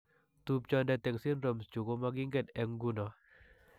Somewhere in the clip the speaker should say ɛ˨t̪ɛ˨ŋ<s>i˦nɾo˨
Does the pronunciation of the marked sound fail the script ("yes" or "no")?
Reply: no